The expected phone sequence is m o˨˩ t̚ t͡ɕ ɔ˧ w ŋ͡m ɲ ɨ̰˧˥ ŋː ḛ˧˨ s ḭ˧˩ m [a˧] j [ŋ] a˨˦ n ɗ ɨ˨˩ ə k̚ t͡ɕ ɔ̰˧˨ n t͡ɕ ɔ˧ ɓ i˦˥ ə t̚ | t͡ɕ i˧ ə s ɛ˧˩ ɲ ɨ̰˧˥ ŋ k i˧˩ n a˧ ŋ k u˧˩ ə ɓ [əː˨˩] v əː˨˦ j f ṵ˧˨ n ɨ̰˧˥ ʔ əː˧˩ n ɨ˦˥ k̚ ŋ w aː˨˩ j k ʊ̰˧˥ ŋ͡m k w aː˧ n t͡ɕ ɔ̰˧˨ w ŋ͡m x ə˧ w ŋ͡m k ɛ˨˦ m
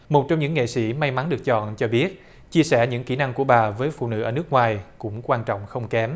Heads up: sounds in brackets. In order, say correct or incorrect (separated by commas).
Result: correct, incorrect, incorrect